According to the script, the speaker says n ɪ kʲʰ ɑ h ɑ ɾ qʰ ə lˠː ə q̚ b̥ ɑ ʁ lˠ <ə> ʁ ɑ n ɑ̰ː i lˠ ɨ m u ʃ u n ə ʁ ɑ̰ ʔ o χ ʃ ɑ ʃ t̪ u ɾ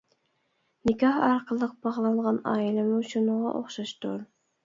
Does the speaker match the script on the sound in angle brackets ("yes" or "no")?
no